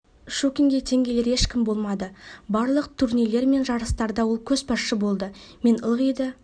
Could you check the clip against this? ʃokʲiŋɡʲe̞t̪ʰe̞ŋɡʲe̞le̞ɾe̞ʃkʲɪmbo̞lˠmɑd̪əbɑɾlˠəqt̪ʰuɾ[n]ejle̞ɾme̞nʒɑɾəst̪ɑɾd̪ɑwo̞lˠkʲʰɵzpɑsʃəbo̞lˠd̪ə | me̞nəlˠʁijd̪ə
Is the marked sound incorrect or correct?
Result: correct